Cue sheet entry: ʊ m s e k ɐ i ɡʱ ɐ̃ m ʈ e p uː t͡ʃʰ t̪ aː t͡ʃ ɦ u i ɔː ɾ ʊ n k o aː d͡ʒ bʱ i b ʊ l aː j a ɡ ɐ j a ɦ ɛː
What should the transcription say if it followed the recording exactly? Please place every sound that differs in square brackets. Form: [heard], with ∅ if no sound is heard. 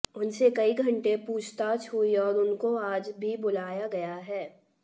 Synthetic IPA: ʊ [n] s e k ɐ i ɡʱ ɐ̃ [ɳ] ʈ e p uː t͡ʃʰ t̪ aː t͡ʃ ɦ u i ɔː ɾ ʊ n k o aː d͡ʒ bʱ i b ʊ l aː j a ɡ ɐ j a ɦ ɛː